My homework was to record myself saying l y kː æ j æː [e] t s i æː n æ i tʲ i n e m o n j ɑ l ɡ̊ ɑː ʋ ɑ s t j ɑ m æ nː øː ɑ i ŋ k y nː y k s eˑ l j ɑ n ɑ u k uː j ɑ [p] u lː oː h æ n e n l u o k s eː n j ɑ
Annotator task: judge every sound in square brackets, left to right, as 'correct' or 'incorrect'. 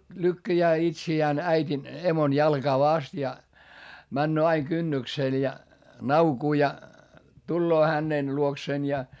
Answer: incorrect, incorrect

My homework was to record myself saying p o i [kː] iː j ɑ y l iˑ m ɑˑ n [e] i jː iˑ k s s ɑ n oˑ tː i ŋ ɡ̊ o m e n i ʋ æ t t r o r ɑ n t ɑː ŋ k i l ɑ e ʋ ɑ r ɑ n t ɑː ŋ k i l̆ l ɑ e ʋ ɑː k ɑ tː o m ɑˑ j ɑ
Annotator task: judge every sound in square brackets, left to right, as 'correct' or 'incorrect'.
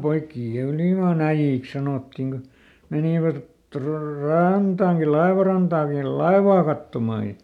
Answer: correct, incorrect

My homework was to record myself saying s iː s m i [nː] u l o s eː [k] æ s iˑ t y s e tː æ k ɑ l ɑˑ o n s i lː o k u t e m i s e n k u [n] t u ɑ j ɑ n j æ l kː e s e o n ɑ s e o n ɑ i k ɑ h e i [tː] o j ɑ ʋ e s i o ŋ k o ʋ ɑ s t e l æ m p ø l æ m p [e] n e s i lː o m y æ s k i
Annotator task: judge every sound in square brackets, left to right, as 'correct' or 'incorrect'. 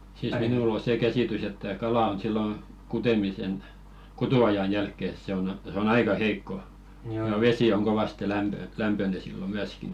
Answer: incorrect, correct, incorrect, incorrect, incorrect

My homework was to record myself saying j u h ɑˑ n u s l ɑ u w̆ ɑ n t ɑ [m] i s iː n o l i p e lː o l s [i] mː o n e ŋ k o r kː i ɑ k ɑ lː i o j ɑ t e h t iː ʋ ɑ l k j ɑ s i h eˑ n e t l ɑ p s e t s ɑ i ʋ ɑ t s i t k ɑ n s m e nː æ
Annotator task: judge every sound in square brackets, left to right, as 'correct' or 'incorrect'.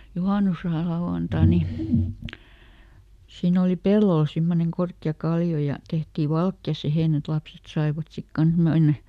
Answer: incorrect, correct

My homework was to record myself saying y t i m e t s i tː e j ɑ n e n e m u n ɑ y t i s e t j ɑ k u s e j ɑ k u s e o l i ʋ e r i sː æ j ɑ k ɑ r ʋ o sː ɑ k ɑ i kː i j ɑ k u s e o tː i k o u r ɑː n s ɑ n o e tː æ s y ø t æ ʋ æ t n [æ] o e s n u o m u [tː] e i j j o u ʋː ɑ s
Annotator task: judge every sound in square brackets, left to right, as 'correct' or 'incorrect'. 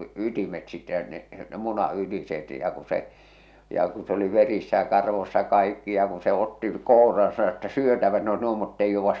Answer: incorrect, correct

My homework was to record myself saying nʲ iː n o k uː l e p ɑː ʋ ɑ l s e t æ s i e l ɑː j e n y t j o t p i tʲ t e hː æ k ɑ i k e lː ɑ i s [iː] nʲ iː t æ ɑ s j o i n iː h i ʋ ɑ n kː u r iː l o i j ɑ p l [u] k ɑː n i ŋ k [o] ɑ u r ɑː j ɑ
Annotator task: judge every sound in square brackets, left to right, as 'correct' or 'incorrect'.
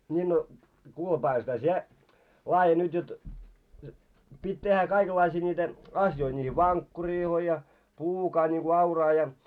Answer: correct, incorrect, incorrect

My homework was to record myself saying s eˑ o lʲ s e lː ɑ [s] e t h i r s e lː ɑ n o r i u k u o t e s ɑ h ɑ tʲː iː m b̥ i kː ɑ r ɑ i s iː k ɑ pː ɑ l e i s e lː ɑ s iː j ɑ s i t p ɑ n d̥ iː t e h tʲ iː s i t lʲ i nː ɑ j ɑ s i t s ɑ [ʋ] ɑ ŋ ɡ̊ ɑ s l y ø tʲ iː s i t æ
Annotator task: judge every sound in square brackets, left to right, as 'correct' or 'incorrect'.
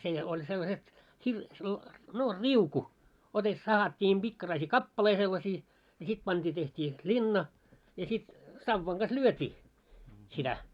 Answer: correct, incorrect

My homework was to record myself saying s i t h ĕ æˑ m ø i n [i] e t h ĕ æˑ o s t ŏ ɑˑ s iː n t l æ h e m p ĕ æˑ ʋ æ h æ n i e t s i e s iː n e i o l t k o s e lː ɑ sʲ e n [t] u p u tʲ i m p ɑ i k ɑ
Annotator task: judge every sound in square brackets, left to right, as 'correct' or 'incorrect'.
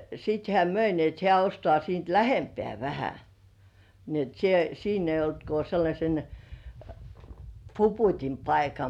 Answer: correct, incorrect

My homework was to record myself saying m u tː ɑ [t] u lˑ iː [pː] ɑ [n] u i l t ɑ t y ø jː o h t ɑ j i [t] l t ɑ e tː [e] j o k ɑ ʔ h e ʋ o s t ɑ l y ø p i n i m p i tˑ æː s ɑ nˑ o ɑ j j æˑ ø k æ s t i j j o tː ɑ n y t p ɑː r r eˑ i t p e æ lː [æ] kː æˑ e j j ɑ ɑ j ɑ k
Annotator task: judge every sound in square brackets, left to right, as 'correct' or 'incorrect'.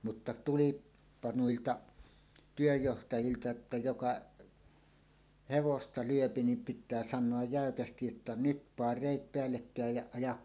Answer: correct, correct, correct, incorrect, incorrect, incorrect

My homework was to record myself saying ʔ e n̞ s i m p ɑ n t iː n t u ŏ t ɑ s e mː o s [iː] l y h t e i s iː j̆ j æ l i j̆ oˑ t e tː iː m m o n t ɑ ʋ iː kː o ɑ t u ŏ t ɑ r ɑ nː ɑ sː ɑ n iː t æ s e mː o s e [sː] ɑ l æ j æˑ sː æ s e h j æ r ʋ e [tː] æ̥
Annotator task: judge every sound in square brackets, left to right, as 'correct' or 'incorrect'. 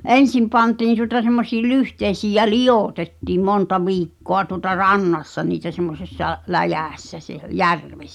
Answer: correct, correct, incorrect

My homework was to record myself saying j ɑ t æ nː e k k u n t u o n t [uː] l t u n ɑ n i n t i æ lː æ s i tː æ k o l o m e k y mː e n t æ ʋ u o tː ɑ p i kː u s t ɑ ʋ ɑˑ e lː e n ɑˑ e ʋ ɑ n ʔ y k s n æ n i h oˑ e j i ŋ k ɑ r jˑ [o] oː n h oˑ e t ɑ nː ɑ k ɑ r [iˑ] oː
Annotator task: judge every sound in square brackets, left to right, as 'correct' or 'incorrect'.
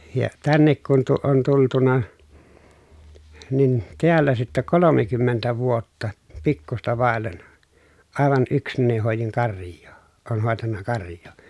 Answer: incorrect, incorrect, incorrect

